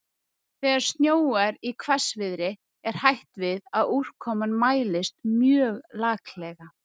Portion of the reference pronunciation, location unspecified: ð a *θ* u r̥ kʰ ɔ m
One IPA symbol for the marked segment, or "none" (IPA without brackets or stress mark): ð